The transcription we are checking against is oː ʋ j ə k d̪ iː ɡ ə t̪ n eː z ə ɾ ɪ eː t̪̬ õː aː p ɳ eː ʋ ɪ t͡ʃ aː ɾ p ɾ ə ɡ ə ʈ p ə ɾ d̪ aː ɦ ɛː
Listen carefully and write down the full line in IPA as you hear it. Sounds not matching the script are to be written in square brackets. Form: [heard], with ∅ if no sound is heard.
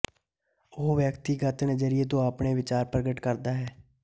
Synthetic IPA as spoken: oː ʋ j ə k [t̪] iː ɡ ə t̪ n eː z ə ɾ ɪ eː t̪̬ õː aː p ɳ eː ʋ ɪ t͡ʃ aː ɾ p ɾ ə ɡ ə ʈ [k] ə ɾ d̪ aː ɦ ɛː